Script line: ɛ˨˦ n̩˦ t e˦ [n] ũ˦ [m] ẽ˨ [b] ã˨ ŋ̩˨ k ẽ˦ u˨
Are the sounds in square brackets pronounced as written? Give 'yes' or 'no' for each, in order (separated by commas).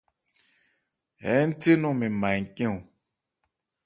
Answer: yes, yes, no